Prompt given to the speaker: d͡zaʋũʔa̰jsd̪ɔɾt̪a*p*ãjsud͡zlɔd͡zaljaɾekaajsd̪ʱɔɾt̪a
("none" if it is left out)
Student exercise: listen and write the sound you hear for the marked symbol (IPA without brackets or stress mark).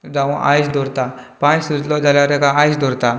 p